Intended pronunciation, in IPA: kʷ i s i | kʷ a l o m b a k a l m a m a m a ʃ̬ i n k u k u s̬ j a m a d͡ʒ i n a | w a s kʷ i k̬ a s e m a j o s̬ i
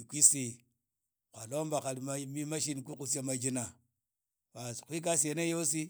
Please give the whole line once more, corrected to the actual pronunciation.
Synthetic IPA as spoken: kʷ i s i | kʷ a l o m b a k a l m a m i m a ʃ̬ i n k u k u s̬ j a m a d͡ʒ i n a | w a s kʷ i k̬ a s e n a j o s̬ i